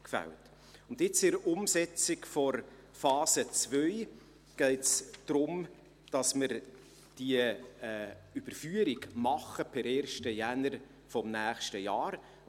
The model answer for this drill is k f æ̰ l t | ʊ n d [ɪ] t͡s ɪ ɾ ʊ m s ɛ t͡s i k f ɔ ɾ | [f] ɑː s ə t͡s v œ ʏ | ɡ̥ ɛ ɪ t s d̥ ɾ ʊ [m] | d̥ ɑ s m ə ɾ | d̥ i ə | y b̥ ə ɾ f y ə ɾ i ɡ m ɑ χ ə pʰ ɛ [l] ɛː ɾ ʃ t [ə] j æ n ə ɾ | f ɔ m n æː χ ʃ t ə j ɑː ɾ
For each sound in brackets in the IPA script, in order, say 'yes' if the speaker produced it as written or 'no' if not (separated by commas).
yes, yes, yes, no, yes